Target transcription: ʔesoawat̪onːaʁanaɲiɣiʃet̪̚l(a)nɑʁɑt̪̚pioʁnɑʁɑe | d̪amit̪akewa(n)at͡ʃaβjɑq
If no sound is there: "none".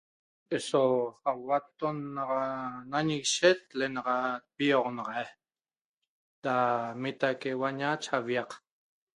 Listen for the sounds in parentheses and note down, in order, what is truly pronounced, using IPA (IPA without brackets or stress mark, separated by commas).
e, ɲ